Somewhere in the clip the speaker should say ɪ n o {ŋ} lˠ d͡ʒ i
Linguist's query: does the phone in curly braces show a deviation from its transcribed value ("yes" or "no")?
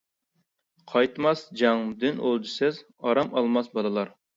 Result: yes